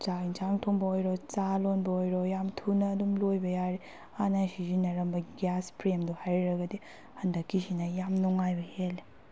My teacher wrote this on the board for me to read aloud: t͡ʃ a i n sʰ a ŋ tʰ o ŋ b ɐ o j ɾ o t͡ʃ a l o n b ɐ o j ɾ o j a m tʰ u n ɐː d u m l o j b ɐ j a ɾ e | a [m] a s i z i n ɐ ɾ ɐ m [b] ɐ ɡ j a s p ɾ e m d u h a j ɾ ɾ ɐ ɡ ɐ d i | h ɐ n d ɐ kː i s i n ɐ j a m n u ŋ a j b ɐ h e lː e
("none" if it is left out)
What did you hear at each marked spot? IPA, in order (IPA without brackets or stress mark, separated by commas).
n, b